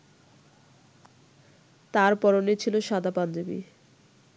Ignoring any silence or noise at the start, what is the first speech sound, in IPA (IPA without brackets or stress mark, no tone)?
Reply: t̪